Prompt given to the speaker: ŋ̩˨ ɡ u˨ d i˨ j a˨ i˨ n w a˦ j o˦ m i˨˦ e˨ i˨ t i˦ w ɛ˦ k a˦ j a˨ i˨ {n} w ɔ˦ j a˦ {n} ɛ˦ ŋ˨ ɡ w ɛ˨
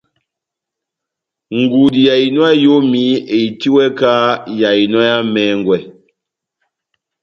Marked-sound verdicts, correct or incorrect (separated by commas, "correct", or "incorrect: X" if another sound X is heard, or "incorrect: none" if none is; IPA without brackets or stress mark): correct, incorrect: m